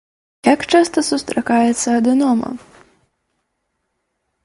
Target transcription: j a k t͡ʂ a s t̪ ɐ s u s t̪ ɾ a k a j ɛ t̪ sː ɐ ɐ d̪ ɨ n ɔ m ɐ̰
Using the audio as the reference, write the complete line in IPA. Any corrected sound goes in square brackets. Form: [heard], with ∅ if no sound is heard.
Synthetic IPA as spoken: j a k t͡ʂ a s t̪ ɐ s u s t̪ ɾ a k a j ɛ t̪ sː ɐ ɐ d̪ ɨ n ɔ m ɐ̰